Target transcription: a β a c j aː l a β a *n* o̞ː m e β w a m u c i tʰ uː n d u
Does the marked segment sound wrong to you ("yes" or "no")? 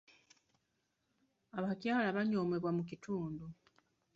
yes